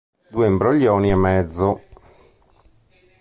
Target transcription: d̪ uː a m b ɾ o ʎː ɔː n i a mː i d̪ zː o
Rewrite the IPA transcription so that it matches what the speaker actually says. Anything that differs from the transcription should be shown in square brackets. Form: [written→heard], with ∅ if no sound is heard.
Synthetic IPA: d̪ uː [a→e] m b ɾ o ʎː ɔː n i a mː [i→ɛ] d̪ zː o